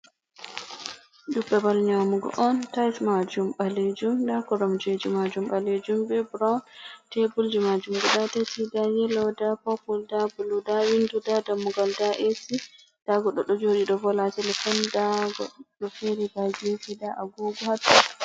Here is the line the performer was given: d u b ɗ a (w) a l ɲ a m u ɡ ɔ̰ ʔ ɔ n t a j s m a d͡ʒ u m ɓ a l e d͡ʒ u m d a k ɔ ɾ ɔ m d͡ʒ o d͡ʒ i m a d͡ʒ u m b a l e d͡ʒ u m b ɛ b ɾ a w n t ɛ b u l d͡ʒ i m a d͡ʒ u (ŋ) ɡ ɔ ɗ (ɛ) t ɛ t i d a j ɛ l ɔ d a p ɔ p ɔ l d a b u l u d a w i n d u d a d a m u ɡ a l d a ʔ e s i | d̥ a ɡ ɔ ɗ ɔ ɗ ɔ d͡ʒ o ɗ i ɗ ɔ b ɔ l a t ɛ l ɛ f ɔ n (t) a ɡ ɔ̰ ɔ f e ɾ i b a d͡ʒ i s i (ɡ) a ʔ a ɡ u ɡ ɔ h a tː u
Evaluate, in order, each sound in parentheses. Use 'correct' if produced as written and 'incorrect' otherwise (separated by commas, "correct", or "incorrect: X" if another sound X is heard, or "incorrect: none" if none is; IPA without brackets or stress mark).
incorrect: b, incorrect: m, incorrect: a, incorrect: d, incorrect: d